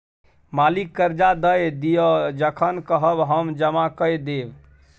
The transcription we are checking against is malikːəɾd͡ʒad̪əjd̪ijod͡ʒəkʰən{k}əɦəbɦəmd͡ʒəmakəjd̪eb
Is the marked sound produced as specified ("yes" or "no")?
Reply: yes